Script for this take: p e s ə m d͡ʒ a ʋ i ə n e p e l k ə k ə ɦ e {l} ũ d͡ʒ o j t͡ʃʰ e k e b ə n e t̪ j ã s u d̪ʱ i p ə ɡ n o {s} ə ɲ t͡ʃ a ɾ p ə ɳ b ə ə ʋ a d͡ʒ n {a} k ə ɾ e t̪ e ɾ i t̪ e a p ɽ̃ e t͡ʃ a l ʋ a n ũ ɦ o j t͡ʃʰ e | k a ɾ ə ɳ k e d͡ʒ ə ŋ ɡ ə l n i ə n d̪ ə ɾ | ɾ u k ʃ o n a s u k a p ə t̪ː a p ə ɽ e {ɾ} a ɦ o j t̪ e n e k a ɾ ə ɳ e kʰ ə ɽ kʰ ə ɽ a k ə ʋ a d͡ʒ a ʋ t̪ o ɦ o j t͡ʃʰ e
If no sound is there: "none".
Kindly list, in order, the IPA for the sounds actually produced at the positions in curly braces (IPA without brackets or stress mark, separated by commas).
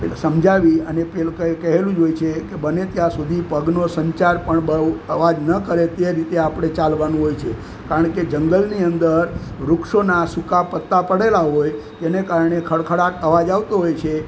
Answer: l, s, ə, l